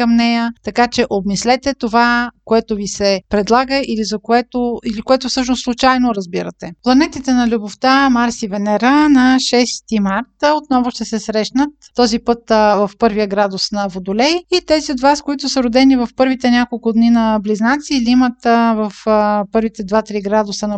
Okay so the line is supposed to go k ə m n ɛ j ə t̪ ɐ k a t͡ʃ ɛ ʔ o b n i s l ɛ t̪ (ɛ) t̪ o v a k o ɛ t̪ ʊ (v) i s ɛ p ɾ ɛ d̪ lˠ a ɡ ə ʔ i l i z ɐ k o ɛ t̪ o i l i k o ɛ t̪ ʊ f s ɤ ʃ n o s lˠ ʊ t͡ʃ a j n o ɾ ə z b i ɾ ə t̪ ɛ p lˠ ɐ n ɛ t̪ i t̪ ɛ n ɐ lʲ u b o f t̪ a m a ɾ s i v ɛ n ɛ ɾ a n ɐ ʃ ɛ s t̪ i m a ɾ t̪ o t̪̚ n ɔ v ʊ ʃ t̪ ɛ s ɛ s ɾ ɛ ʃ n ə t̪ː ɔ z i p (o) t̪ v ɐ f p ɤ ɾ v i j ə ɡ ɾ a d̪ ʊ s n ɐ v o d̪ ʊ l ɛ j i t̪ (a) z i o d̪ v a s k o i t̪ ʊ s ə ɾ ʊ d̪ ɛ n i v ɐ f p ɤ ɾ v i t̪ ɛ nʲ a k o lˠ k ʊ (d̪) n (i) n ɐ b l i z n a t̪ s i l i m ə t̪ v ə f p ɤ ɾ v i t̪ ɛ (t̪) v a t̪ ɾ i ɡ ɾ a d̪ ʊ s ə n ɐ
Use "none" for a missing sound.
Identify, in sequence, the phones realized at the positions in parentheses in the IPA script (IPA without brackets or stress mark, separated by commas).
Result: ɛ, v, ɤ, ɛ, d̪, i, d̪